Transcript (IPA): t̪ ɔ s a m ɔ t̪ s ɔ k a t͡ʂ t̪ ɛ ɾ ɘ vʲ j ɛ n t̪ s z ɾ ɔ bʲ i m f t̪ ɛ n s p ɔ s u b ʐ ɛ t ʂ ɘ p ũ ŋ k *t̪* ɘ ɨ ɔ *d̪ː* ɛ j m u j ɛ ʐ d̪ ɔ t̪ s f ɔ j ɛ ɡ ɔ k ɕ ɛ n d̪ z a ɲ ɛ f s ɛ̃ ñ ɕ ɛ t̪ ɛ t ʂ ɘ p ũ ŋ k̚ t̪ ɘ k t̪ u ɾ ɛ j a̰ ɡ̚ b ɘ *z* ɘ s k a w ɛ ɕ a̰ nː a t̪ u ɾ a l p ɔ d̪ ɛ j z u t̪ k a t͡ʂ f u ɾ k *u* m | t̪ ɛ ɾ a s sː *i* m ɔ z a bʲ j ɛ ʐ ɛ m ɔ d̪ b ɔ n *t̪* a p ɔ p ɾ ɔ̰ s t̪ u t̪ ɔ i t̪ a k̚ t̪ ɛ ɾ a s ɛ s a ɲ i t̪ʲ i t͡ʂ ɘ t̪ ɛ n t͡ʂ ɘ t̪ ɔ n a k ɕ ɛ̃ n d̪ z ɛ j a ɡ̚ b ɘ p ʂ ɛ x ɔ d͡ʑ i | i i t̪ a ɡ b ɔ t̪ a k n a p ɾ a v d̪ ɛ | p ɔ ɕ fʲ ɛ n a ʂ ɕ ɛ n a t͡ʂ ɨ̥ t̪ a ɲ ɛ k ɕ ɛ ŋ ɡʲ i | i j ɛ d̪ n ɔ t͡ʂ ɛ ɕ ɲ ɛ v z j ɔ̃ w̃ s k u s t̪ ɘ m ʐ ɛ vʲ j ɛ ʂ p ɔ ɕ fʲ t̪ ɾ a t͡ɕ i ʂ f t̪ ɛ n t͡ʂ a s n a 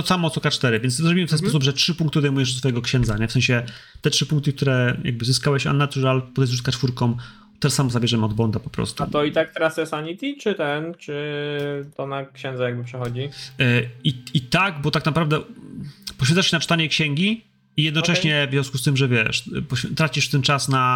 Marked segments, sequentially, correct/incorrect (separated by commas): correct, incorrect, correct, incorrect, incorrect, incorrect